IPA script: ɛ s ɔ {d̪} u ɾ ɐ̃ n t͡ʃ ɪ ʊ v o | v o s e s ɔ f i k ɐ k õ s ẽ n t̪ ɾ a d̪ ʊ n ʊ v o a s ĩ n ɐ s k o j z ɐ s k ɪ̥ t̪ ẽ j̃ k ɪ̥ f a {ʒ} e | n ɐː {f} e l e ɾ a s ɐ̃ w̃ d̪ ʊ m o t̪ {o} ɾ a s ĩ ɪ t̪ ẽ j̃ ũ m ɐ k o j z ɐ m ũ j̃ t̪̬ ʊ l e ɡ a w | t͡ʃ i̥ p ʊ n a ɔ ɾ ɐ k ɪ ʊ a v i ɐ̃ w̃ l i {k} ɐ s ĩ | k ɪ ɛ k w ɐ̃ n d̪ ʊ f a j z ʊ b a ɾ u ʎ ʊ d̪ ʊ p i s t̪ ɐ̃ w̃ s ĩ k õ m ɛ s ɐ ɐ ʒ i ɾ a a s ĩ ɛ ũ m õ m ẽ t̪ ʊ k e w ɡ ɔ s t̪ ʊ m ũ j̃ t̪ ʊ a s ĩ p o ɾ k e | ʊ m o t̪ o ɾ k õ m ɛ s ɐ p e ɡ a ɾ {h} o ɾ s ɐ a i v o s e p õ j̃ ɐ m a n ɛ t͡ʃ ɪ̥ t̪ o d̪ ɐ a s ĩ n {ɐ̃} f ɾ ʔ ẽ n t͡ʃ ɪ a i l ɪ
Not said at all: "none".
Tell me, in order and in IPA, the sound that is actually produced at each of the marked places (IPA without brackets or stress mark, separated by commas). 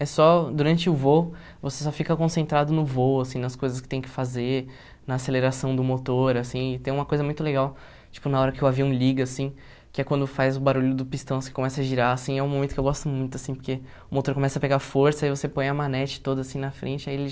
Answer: d̪, z, s, o, ɡ, f, ɐ